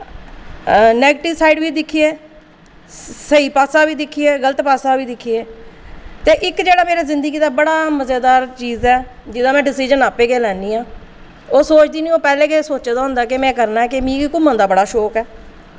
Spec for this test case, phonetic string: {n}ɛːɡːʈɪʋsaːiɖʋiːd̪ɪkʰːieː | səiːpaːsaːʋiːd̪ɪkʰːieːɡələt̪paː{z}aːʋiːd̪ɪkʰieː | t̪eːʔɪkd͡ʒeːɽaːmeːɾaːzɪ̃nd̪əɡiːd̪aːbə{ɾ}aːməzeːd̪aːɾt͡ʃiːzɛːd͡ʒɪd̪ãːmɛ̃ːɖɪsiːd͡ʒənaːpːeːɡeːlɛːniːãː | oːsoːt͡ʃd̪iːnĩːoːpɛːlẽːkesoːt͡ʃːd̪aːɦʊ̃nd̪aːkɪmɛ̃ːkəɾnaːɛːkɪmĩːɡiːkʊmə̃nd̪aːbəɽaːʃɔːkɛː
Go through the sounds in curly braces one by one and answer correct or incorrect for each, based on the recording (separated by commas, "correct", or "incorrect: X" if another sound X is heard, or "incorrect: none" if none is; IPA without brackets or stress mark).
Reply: correct, incorrect: s, incorrect: ɽ